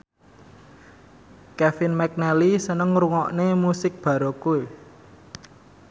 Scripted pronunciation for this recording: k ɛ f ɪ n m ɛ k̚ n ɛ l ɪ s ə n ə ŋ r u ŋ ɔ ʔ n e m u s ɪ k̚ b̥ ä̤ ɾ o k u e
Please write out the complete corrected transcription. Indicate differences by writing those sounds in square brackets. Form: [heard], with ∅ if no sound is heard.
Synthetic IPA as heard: k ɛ f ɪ n m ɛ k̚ n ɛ l [i] s ə n ə ŋ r u ŋ ɔ ʔ n e m u s ɪ k̚ b̥ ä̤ ɾ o k u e